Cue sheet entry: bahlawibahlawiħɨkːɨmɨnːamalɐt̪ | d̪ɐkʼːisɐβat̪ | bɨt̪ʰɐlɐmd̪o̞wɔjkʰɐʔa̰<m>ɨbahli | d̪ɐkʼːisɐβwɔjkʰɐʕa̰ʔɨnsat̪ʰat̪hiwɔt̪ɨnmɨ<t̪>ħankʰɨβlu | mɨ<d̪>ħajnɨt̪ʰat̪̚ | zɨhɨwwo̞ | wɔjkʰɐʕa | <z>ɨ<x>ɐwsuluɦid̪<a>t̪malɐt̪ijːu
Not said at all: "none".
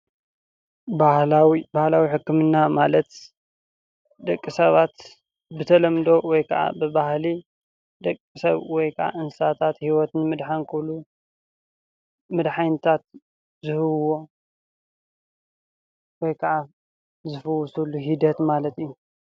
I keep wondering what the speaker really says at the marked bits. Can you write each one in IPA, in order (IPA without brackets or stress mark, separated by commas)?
b, d̪, d̪, z, f, ɐ